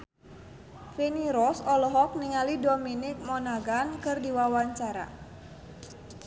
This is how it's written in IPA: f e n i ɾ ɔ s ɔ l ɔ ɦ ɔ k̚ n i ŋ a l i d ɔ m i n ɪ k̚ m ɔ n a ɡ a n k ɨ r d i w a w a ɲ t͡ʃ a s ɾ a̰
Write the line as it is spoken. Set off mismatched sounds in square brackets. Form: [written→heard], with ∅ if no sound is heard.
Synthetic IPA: f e n i ɾ ɔ s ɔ l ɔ ɦ ɔ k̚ n i ŋ a l i d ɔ m i n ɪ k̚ m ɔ n a ɡ a n k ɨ r d i w a w a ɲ t͡ʃ a [s→∅] ɾ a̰